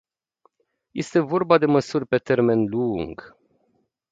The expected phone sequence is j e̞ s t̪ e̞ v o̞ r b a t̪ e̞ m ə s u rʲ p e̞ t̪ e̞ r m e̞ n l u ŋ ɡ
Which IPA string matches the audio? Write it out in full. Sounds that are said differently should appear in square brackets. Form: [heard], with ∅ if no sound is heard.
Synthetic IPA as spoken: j e̞ s t̪ e̞ v o̞ r b a [d̪] e̞ m ə s u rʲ p e̞ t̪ e̞ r m e̞ n l u ŋ ɡ